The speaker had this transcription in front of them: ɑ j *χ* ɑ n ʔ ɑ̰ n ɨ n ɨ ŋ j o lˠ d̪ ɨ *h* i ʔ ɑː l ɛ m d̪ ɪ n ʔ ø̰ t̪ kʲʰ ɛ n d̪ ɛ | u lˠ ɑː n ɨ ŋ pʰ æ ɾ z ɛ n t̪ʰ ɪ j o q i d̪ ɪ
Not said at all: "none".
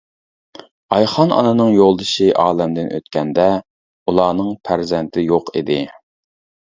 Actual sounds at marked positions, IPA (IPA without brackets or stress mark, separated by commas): χ, ʃ